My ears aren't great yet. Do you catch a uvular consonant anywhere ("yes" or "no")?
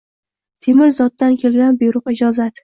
yes